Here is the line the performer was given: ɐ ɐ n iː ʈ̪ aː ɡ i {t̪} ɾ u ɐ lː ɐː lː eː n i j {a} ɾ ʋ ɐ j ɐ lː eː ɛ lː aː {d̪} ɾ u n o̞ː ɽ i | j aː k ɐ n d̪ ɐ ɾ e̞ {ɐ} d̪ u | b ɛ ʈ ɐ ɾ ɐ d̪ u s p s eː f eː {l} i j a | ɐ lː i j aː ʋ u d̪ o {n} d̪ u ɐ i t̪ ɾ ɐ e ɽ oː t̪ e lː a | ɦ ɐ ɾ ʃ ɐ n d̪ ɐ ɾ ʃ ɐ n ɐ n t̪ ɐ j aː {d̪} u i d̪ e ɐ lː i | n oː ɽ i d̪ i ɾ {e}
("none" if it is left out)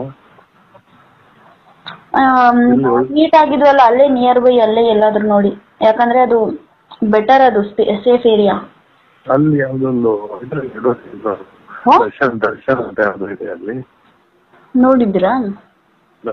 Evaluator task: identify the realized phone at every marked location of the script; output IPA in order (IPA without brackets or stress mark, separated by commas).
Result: d̪, ɐ, d̪, ɐ, ɾ, n, d̪, a